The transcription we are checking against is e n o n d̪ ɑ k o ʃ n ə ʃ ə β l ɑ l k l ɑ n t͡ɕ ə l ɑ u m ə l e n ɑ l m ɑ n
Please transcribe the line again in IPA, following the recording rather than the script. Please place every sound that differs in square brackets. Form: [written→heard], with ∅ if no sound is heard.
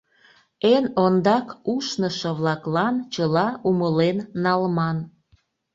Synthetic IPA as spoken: e n o n d̪ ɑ k [o→u] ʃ n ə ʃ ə β l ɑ [l→∅] k l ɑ n t͡ɕ ə l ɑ u m ə l e [n→nː] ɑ l m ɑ n